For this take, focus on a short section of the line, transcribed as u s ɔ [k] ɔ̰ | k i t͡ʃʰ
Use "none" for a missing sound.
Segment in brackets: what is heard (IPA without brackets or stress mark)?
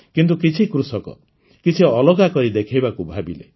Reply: k